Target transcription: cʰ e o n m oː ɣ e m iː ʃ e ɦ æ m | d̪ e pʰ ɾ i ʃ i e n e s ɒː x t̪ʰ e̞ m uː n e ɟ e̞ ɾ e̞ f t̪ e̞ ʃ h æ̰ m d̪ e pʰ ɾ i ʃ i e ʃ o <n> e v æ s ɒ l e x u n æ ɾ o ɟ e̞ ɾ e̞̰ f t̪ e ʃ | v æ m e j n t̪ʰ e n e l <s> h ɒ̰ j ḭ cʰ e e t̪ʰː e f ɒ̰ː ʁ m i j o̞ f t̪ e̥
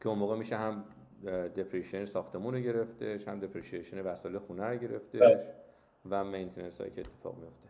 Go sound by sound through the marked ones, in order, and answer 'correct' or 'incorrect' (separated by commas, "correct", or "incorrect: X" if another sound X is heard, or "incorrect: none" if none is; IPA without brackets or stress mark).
correct, correct